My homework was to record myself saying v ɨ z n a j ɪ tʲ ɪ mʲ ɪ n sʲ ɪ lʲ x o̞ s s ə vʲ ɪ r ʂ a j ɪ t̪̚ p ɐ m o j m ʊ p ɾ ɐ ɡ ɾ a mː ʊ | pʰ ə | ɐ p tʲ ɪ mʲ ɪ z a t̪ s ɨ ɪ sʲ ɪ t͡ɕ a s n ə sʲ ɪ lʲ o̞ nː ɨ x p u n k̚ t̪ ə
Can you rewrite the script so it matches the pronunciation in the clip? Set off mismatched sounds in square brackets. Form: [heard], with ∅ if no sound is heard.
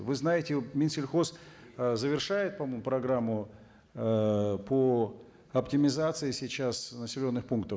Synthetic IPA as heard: v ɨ z n a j ɪ tʲ ɪ mʲ ɪ n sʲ ɪ lʲ x o̞ s [z] ə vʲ ɪ r ʂ a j ɪ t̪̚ p ɐ m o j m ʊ p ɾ ɐ ɡ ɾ a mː ʊ | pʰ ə | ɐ p tʲ ɪ mʲ ɪ z a t̪ s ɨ ɪ sʲ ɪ t͡ɕ a s n ə sʲ ɪ lʲ o̞ nː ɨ x p u n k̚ t̪ ə